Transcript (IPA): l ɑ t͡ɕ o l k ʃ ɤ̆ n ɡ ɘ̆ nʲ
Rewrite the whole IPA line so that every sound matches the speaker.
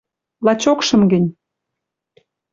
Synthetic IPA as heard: l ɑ t͡ɕ o k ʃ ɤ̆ m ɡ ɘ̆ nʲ